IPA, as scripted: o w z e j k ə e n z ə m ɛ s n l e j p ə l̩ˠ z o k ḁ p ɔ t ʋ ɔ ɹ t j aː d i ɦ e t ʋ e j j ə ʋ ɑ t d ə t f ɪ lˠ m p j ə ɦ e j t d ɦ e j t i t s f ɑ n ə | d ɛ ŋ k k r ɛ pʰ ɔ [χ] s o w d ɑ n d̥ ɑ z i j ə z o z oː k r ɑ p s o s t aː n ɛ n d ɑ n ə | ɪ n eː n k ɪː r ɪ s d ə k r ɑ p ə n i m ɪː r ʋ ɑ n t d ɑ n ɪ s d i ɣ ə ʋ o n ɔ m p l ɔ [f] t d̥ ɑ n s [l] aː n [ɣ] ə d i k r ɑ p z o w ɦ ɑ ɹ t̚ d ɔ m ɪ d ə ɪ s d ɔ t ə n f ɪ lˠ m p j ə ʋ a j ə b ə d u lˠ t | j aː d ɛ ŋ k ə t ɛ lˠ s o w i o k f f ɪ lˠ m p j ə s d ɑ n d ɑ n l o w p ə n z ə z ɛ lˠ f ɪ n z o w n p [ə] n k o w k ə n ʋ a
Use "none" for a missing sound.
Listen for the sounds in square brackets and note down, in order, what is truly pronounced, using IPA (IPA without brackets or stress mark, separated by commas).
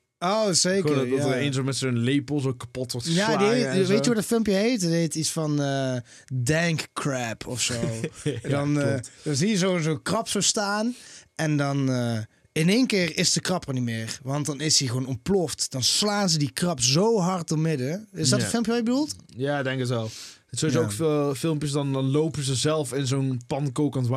f, f, l, z, ɑ